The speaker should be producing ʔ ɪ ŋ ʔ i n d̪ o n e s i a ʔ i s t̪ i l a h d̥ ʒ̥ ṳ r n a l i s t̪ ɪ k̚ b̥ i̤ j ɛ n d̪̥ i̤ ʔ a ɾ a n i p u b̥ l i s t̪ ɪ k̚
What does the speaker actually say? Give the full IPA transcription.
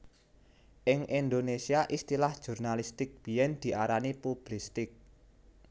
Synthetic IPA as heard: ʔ ɪ ŋ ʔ i n d̪ o n e s i a ʔ i s t̪ i l a h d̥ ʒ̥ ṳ r n a l i s t̪ ɪ k̚ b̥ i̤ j ɛ n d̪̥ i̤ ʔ a ɾ a n i p u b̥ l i s t̪ ɪ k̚